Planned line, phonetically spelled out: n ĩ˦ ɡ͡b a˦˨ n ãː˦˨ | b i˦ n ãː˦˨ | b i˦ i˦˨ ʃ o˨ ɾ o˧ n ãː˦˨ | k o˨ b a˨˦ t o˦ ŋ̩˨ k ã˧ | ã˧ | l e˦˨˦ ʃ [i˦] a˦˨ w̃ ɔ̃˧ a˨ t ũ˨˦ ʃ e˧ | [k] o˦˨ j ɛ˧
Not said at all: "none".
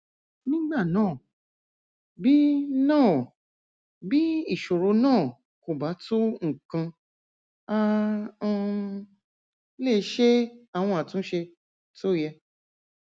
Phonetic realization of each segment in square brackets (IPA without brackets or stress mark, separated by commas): e˦, t